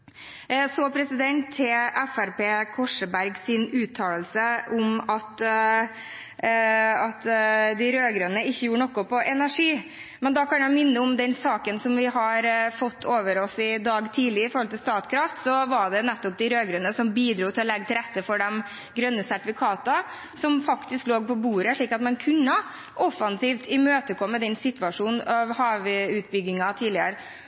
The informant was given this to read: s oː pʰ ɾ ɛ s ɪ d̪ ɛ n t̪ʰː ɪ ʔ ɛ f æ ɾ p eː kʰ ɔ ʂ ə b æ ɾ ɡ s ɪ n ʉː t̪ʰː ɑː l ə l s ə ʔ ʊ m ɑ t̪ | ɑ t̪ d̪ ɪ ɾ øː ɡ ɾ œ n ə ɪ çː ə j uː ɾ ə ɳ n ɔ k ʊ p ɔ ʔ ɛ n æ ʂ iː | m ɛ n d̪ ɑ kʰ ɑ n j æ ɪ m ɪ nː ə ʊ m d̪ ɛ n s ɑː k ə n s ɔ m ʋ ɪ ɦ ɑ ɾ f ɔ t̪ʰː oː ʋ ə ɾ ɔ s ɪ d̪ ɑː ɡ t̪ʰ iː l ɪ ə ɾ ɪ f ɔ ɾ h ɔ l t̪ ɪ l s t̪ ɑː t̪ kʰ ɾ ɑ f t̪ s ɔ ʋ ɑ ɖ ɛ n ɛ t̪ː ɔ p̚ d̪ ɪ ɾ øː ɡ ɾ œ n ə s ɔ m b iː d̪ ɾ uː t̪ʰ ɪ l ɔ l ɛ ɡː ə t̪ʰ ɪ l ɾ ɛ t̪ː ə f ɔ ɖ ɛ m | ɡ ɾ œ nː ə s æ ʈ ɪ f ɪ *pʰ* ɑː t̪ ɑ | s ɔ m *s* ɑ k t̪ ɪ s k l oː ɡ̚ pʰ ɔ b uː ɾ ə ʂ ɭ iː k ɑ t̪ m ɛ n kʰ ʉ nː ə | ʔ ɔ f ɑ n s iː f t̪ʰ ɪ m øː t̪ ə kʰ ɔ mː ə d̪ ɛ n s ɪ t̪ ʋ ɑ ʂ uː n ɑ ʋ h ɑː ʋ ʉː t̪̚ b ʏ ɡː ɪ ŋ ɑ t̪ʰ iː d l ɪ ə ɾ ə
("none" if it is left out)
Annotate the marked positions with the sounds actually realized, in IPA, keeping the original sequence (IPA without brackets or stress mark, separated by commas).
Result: kʰ, f